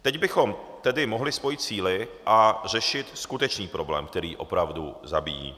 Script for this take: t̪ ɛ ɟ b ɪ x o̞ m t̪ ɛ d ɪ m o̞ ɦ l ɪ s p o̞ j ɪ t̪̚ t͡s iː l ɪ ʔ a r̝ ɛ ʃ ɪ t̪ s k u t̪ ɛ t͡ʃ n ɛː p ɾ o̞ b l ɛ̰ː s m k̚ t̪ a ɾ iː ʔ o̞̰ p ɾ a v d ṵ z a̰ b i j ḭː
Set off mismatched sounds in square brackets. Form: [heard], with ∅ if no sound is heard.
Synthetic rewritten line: t̪ ɛ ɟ b ɪ x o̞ m t̪ ɛ d ɪ m o̞ ɦ l ɪ s p o̞ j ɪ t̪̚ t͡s iː l ɪ ʔ a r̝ ɛ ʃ ɪ t̪ s k u t̪ ɛ t͡ʃ n [iː] p ɾ o̞ b l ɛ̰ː [∅] m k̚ t̪ [ɛ] ɾ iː ʔ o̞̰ p ɾ a v d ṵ z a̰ b i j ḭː